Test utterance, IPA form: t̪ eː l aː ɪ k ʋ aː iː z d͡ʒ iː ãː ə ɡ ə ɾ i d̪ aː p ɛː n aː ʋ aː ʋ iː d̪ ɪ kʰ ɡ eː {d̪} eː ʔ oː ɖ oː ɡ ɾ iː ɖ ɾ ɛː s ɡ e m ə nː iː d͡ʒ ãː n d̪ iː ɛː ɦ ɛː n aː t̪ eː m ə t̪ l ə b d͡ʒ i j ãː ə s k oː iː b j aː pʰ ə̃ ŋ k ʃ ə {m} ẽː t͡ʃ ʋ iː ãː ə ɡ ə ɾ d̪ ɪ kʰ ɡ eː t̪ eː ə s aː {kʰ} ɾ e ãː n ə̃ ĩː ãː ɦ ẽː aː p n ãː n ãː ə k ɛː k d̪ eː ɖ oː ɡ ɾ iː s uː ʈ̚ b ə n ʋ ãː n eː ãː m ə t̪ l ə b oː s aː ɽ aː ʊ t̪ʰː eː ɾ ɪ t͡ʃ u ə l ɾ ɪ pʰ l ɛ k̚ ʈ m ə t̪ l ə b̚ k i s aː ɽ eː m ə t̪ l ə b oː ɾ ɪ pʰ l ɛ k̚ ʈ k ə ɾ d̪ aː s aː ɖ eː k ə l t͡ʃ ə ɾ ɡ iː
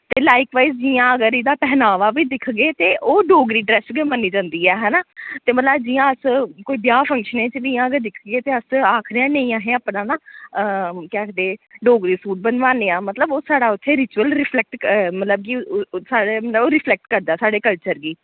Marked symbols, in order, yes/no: no, no, yes

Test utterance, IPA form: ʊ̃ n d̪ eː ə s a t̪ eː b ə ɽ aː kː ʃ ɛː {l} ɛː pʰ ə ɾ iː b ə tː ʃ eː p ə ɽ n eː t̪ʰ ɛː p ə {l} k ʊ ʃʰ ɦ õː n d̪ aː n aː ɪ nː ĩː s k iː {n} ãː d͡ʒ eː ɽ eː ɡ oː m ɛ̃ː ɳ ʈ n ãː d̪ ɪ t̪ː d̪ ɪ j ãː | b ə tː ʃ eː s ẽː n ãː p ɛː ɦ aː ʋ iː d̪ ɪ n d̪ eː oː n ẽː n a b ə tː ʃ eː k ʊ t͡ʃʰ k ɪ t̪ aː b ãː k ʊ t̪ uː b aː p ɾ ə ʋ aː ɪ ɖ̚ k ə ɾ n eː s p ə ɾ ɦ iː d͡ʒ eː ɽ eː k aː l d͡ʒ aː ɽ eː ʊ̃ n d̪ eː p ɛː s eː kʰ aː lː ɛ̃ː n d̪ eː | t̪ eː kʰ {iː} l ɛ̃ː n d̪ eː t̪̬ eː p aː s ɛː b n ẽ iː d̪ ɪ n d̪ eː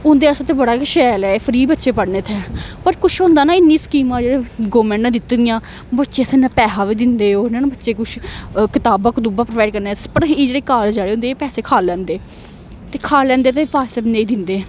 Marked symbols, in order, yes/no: yes, no, no, no

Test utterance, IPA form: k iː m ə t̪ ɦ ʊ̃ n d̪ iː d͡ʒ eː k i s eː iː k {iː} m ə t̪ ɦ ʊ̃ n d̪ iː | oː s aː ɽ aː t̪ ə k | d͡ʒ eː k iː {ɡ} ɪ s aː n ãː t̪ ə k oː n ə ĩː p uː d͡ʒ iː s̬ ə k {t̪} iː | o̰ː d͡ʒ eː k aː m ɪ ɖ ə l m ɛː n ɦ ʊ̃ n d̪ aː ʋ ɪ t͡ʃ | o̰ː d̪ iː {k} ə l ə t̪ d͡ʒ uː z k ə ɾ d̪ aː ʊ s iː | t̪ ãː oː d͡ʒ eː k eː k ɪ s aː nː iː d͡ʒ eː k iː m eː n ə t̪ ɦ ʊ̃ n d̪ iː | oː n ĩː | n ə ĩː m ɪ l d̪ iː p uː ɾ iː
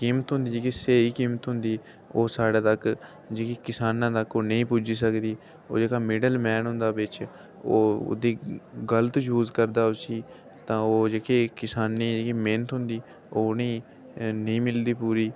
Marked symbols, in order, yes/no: yes, no, no, no

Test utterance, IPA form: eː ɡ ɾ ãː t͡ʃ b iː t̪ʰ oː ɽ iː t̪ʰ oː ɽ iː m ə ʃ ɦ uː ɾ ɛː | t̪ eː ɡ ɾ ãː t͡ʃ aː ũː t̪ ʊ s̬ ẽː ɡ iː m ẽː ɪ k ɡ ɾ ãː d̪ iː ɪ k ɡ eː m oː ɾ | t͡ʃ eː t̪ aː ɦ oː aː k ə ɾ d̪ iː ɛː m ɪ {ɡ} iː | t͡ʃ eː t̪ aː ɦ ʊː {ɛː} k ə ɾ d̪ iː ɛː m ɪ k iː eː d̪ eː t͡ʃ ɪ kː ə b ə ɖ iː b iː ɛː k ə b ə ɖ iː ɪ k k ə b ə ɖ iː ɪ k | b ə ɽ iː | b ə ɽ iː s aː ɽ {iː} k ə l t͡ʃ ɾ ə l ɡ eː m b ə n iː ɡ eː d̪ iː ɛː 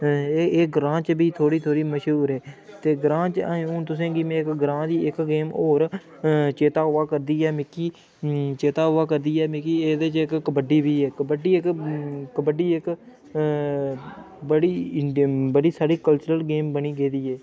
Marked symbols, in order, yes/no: no, no, yes

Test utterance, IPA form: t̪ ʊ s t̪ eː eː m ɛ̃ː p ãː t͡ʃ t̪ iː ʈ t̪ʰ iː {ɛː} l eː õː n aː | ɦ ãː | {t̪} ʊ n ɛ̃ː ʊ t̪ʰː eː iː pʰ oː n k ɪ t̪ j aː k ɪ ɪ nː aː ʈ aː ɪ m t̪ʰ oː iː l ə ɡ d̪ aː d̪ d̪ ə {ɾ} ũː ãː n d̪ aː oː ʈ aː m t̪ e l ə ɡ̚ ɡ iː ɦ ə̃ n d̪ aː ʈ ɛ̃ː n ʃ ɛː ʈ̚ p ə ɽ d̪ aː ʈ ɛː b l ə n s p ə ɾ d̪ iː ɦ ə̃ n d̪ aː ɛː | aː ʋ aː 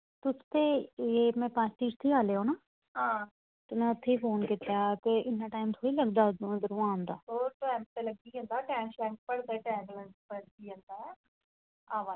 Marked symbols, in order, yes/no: no, yes, yes

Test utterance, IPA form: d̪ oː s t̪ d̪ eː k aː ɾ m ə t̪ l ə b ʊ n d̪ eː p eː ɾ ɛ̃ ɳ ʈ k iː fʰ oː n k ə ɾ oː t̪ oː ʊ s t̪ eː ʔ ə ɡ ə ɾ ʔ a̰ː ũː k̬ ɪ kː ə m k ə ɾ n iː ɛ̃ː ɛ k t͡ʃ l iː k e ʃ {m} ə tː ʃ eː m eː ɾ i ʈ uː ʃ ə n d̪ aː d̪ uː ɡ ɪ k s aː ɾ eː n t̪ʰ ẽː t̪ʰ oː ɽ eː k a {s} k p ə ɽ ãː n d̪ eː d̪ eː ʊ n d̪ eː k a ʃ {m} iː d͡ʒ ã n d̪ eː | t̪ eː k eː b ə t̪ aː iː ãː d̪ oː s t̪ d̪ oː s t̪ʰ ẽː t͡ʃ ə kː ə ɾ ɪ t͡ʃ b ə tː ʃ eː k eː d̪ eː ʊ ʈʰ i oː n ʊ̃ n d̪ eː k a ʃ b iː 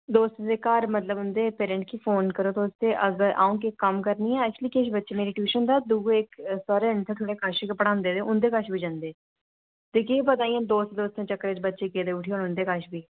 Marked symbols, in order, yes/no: no, no, no

